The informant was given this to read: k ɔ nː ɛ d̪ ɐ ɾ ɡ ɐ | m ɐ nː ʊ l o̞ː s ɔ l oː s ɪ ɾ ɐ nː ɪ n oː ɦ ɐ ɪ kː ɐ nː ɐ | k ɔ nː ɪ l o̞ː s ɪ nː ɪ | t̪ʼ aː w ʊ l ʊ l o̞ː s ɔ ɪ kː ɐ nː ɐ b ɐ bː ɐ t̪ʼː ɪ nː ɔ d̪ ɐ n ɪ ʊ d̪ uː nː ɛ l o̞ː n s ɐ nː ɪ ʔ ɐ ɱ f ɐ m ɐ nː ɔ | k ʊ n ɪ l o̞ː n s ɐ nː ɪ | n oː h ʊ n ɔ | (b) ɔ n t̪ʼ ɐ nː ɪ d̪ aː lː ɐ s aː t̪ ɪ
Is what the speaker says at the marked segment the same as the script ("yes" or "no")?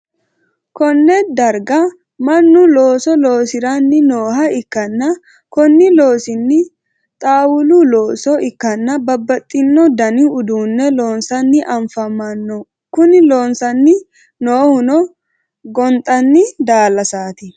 no